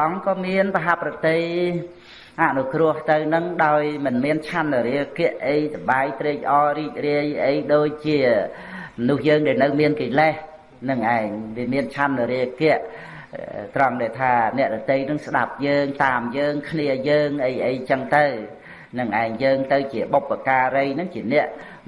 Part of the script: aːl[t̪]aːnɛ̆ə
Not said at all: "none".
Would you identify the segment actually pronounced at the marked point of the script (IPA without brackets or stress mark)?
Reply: t̪ʰ